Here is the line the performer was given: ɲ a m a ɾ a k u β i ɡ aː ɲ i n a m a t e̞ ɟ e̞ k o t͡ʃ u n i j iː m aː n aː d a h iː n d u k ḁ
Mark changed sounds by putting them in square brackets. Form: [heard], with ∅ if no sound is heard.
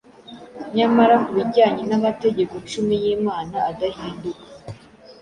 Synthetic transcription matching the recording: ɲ a m a ɾ a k u β i [ɟ] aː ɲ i n a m a t e̞ ɟ e̞ k o t͡ʃ u [m] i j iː m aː n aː d a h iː n d u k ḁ